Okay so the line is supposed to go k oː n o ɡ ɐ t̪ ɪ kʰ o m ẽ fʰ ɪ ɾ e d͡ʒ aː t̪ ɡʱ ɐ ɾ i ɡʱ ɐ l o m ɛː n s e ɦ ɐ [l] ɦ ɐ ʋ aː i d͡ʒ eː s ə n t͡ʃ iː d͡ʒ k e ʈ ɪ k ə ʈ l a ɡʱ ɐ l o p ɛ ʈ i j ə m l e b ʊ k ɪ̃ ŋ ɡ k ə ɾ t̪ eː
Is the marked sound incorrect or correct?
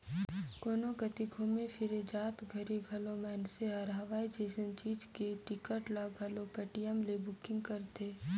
incorrect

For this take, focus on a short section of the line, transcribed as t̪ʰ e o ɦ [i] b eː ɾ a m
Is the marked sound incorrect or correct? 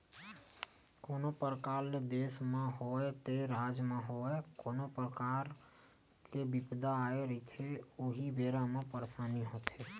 correct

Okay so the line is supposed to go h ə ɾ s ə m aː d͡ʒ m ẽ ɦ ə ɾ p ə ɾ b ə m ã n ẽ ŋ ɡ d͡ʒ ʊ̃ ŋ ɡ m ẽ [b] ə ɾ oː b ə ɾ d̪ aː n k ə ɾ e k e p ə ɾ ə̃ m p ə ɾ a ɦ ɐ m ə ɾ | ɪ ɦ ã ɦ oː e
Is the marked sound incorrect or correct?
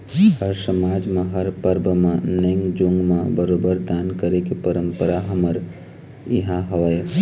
correct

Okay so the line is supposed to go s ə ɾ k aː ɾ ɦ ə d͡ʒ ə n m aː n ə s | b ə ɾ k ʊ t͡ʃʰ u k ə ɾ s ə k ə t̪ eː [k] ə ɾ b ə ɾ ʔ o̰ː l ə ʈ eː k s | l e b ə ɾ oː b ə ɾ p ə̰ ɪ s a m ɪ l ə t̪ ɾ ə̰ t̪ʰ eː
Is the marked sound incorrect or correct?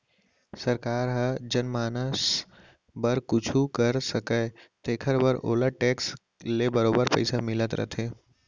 incorrect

